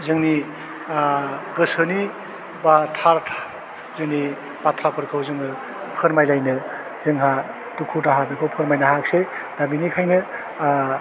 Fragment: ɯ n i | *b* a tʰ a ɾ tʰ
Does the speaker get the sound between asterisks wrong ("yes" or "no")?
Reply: no